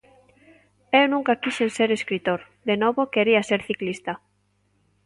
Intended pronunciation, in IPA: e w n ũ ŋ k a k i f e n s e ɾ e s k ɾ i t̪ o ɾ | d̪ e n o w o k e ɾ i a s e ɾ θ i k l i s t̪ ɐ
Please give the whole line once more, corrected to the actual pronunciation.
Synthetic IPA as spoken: e w n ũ ŋ k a k i ʃ e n s e ɾ e s k ɾ i t̪ o ɾ | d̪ e n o β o k e ɾ i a s e ɾ θ i k l i s t̪ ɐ